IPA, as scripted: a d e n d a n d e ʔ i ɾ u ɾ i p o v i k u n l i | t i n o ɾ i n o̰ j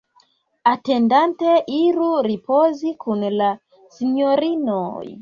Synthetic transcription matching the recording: a t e n d a n t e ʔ i ɾ u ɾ i p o z i k u n l a | s i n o ɾ i n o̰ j